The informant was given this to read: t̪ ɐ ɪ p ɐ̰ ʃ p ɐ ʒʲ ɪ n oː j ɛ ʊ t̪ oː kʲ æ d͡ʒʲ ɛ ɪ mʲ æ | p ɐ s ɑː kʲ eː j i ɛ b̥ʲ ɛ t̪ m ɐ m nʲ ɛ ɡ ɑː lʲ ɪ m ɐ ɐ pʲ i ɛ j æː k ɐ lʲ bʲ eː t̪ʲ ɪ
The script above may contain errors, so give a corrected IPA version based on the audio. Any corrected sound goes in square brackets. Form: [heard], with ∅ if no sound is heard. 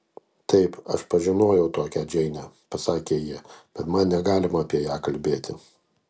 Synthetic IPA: t̪ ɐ ɪ p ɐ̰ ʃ p ɐ ʒʲ ɪ n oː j ɛ ʊ t̪ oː kʲ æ d͡ʒʲ ɛ ɪ [nʲ] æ | p ɐ s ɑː kʲ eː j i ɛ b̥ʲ ɛ t̪ m ɐ [n] nʲ ɛ ɡ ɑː lʲ ɪ m ɐ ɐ pʲ i ɛ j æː k ɐ lʲ bʲ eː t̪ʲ ɪ

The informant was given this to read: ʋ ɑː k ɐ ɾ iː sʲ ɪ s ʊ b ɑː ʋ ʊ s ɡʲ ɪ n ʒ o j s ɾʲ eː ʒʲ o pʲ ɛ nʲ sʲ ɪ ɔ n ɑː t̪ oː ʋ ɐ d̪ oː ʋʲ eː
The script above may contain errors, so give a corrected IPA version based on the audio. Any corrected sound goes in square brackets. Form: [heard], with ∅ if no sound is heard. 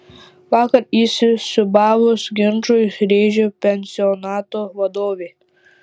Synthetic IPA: ʋ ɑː k ɐ ɾ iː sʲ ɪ s ʊ b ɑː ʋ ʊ s ɡʲ ɪ n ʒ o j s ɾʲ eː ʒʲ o pʲ ɛ nʲ sʲ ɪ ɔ n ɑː t̪ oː ʋ ɐ d̪ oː ʋʲ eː

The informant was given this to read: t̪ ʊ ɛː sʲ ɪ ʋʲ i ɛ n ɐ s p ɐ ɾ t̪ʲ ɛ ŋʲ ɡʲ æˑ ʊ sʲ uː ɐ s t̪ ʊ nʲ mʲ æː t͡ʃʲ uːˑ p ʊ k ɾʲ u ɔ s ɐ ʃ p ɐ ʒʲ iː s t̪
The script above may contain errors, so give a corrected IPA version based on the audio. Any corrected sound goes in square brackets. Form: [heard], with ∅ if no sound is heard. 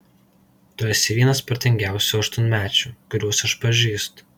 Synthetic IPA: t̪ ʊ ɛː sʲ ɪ ʋʲ i ɛ n ɐ s p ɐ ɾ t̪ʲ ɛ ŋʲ ɡʲ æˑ ʊ sʲ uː ɐ [ʃ] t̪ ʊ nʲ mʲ æː t͡ʃʲ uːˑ [k] ʊ [∅] ɾʲ u ɔ s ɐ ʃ p ɐ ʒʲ iː s t̪

